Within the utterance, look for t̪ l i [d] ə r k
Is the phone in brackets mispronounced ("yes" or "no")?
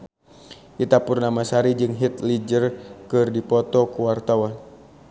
yes